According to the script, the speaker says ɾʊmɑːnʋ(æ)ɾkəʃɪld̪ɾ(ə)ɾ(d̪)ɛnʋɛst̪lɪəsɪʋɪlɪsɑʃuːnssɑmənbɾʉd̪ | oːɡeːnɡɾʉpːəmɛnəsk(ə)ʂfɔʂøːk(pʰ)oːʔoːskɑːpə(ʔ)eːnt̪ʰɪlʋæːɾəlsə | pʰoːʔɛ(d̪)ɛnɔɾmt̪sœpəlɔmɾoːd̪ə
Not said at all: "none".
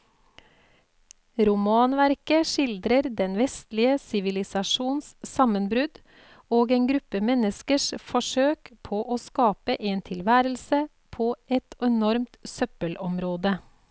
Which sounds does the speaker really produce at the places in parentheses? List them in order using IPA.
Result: æ, ə, d̪, ə, pʰ, ʔ, t̪

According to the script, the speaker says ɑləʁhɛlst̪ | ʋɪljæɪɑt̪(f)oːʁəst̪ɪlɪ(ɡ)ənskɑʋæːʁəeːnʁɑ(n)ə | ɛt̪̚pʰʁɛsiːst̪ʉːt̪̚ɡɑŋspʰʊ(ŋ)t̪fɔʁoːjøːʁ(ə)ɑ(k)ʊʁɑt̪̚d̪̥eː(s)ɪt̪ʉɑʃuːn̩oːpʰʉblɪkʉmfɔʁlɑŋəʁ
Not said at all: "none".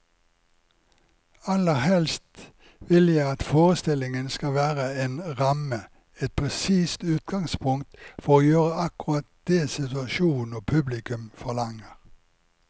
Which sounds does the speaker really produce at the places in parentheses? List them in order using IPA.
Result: f, ŋ, m, ŋ, ə, k, s

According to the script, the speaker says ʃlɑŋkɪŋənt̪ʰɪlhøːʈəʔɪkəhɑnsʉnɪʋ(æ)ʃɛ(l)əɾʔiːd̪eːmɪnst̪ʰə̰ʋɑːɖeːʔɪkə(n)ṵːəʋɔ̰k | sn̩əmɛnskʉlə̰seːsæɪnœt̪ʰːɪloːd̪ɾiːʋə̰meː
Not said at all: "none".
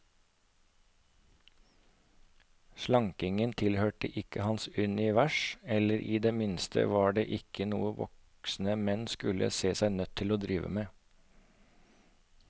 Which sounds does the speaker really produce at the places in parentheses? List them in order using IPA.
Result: æ, l, n

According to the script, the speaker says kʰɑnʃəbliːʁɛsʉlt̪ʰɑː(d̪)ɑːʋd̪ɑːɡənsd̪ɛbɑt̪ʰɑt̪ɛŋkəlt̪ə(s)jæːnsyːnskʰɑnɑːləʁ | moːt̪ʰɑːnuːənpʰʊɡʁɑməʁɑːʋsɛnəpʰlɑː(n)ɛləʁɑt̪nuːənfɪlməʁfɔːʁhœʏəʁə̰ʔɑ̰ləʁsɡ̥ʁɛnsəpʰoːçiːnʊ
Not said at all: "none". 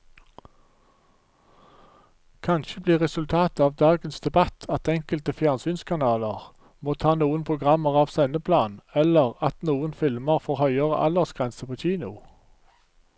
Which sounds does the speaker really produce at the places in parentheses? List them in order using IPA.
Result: t̪, f, n

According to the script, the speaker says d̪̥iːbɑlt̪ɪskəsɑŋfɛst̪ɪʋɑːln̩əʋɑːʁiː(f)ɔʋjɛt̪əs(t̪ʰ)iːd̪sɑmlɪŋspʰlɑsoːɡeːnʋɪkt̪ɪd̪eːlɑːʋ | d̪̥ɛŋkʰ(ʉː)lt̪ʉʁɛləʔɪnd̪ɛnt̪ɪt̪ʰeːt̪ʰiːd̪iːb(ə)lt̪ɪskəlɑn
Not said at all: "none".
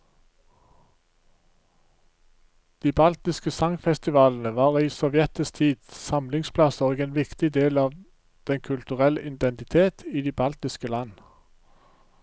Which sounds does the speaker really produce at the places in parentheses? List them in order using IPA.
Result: s, t̪ʰ, ʉ, ɑ

